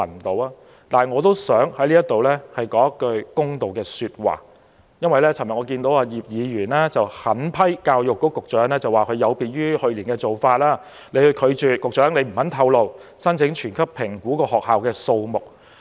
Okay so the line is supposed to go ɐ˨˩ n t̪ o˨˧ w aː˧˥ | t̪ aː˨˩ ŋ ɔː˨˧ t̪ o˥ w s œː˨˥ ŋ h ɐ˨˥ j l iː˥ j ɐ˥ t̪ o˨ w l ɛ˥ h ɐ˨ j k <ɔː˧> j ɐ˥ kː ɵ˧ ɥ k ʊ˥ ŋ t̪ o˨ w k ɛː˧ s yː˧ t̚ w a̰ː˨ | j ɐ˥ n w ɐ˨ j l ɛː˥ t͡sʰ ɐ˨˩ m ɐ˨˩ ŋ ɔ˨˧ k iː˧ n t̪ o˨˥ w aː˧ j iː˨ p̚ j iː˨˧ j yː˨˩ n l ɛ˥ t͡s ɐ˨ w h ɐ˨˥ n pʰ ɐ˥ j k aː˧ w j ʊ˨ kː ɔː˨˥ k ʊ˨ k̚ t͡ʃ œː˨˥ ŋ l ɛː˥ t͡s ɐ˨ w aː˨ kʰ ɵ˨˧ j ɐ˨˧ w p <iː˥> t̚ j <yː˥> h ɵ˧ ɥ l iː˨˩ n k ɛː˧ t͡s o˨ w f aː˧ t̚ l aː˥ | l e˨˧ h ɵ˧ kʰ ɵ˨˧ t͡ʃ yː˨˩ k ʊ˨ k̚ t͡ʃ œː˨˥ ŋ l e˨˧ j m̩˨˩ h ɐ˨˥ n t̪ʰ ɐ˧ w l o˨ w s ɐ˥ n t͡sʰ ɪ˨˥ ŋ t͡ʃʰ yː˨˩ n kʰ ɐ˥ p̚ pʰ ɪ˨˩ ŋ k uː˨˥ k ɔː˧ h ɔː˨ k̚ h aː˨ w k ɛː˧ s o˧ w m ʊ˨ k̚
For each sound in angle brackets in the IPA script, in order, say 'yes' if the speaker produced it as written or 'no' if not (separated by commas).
no, no, yes